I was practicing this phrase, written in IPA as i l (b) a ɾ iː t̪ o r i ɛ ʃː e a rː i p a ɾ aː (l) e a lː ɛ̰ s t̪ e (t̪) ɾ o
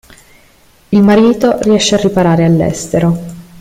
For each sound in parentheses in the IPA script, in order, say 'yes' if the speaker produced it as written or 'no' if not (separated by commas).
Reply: no, no, no